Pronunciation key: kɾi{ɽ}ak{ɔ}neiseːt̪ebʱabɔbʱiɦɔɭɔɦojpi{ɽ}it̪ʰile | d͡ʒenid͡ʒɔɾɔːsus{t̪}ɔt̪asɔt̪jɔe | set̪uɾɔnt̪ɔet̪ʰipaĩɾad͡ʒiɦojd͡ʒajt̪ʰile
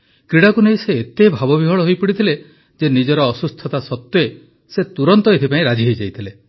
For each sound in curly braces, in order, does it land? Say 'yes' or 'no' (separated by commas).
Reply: yes, no, yes, no